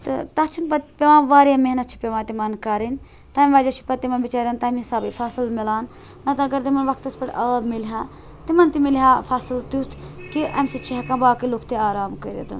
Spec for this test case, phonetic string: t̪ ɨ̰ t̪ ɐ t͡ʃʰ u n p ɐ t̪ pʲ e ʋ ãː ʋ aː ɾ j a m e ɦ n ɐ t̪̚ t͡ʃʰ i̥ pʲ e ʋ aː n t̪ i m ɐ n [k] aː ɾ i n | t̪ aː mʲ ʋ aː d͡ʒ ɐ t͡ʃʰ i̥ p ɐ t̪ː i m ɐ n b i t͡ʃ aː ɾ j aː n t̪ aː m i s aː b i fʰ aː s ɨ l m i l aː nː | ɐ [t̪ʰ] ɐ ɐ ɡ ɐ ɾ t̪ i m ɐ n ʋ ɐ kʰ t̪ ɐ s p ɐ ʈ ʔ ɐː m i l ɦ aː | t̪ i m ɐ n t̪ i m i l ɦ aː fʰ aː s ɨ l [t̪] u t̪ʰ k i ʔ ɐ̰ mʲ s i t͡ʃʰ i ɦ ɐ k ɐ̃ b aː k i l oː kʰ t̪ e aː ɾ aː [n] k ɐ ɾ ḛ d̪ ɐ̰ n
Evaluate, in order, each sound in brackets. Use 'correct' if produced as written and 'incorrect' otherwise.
correct, incorrect: t̪, correct, incorrect: m

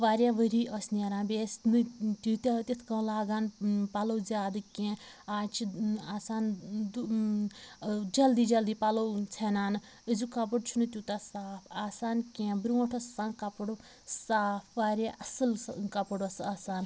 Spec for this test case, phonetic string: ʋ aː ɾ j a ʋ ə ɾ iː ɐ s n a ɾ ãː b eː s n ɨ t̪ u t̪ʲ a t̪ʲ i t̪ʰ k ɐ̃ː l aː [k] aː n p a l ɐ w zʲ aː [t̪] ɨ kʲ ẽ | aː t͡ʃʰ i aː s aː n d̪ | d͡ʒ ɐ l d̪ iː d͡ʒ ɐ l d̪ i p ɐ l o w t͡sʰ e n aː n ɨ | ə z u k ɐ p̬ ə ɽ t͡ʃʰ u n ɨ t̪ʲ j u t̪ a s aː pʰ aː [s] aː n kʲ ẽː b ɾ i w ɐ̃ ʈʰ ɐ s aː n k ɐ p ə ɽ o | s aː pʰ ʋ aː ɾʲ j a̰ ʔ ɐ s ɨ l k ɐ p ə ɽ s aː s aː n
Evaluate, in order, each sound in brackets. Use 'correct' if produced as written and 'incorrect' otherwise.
incorrect: ɡ, incorrect: d̪, correct

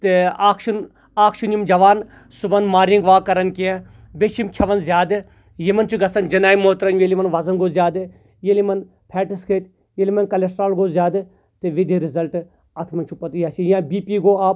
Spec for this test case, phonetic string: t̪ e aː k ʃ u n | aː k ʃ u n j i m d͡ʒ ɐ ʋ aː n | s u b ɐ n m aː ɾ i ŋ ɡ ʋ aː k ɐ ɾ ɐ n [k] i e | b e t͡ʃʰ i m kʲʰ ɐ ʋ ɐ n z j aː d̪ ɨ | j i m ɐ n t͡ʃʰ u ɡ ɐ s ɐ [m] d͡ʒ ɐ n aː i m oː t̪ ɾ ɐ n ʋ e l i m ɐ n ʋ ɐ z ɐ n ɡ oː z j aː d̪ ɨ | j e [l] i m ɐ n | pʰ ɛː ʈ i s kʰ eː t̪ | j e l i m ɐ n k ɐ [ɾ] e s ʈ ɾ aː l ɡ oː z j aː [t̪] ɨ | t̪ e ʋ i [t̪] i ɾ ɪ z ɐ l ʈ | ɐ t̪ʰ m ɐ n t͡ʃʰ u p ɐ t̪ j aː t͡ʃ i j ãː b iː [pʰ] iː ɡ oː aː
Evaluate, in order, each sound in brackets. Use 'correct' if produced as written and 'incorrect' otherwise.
correct, incorrect: n, correct, incorrect: l, incorrect: d̪, incorrect: d̪, incorrect: p

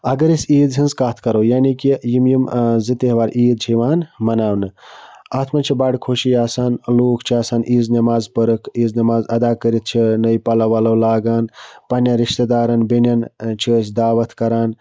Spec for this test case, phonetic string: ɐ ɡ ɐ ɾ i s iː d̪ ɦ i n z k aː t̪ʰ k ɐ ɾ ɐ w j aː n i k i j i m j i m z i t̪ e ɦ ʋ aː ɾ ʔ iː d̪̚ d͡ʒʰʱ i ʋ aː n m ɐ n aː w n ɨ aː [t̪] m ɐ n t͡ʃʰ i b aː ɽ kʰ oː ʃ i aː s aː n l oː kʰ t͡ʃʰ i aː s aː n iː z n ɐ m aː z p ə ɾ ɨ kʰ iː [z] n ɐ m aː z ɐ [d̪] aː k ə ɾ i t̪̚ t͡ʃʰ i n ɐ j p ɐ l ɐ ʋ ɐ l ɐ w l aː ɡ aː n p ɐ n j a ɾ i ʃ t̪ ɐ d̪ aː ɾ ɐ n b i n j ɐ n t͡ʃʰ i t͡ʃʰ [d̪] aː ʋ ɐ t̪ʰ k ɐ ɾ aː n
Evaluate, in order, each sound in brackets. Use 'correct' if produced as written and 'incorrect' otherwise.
incorrect: t̪ʰ, correct, correct, correct

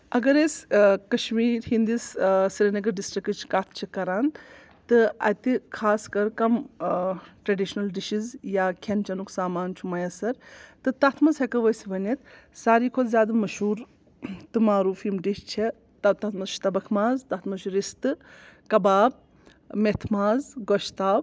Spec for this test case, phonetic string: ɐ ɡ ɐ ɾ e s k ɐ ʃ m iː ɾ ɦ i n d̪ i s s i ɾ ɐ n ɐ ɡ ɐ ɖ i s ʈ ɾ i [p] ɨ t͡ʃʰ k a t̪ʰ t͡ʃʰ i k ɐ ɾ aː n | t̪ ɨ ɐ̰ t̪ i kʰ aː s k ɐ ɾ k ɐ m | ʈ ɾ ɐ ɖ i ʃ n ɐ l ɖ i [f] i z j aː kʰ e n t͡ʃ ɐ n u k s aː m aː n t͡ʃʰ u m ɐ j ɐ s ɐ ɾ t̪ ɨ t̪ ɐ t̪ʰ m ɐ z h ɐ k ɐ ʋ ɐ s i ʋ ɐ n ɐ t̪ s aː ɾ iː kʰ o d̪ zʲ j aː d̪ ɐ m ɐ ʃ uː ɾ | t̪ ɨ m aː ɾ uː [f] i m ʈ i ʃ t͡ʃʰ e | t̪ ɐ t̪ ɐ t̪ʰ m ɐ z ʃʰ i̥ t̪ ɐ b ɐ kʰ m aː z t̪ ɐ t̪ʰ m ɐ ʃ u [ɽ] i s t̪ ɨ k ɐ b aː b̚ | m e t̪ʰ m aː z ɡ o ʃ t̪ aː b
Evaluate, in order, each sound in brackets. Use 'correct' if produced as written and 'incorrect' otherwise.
incorrect: k, incorrect: ʃ, correct, incorrect: ɾ

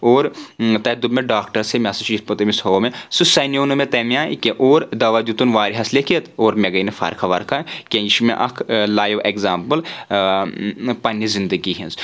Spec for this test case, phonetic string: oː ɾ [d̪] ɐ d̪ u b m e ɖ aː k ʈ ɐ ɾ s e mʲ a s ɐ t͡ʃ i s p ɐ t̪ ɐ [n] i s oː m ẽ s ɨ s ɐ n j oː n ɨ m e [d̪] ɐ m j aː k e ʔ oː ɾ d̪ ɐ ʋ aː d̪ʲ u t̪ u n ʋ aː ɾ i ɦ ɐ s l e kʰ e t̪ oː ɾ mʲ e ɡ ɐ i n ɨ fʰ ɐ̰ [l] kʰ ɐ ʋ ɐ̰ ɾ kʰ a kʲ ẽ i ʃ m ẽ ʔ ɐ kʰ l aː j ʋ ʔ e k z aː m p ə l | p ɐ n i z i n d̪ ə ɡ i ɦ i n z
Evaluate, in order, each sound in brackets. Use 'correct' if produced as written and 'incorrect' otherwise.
incorrect: t̪, incorrect: m, incorrect: t̪, incorrect: ɾ

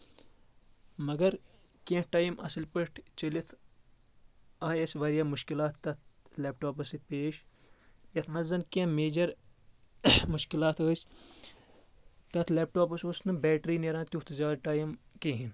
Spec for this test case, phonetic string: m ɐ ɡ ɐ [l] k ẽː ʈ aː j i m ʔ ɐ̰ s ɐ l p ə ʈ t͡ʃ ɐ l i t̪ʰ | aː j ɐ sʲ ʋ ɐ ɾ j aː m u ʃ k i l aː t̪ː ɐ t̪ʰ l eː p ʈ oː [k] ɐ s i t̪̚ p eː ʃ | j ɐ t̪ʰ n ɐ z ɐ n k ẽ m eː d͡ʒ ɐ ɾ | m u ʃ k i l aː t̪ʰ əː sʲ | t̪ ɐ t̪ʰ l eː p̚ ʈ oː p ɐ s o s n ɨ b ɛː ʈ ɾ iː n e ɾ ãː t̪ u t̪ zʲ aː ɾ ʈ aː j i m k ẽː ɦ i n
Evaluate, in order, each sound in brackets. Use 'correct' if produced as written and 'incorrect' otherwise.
incorrect: ɾ, incorrect: p

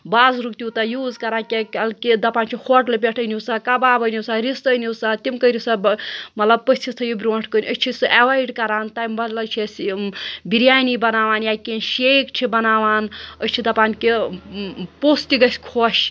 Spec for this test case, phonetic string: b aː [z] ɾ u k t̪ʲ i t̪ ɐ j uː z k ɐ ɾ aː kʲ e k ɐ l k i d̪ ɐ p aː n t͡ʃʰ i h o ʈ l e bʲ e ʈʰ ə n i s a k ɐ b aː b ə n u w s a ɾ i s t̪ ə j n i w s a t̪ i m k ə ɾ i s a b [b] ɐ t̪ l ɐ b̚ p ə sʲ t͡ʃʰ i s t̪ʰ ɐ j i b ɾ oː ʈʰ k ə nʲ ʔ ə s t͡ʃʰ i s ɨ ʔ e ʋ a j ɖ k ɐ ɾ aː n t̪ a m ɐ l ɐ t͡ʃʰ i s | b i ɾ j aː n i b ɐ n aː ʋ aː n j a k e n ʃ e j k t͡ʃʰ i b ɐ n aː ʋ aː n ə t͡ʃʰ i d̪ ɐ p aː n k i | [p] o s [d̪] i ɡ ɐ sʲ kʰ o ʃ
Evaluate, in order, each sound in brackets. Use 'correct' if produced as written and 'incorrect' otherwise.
correct, incorrect: m, correct, incorrect: t̪

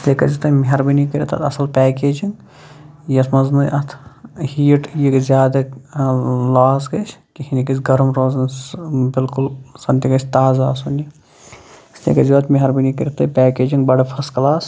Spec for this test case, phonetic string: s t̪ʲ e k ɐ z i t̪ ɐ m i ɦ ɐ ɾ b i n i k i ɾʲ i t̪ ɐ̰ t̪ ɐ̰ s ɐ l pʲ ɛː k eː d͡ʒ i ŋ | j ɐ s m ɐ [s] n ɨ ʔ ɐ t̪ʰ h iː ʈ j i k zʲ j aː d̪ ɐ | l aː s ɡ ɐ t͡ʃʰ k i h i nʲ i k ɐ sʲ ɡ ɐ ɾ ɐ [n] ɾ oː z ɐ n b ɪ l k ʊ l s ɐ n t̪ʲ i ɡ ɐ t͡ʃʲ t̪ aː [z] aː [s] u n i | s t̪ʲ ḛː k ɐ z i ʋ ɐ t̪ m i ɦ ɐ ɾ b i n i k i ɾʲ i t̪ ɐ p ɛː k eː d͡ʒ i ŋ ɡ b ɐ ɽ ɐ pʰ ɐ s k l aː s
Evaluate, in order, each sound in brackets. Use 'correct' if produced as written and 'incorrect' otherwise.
incorrect: z, incorrect: m, correct, correct

